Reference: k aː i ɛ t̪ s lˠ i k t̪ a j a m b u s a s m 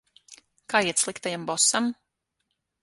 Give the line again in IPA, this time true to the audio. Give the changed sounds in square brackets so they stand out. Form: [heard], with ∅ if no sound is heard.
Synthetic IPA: k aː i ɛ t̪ s lˠ i k t̪ a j a m b [ɔ] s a [∅] m